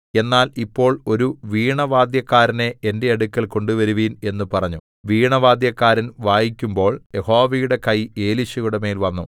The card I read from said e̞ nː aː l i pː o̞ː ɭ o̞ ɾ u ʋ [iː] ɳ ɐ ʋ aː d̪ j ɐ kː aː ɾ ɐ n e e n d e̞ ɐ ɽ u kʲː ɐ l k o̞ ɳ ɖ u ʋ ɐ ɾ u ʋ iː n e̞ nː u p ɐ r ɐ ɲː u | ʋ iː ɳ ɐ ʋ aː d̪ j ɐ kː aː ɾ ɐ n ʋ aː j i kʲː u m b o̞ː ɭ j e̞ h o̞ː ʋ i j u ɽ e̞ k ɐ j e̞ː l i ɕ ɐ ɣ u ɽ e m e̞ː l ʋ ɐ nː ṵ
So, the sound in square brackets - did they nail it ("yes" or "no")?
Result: yes